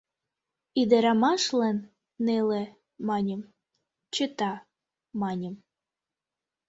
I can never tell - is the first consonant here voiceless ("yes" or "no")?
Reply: no